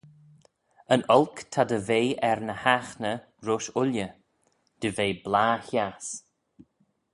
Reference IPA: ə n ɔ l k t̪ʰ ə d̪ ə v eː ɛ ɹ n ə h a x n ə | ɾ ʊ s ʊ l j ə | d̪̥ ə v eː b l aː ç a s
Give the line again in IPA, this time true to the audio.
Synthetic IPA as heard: ə n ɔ l k t̪ʰ a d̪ ə v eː ɛ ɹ n ə h a x n ə | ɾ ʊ ʃ ʊ l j ə | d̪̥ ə v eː b l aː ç a s